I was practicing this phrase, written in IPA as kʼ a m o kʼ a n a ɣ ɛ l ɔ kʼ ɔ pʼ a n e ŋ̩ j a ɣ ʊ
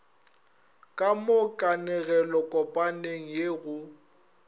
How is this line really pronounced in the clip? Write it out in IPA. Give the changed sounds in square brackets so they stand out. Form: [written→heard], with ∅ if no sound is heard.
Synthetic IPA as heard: kʼ a m o kʼ a n [a→ɛ] ɣ ɛ l ɔ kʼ ɔ pʼ a n e ŋ̩ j [a→e] ɣ ʊ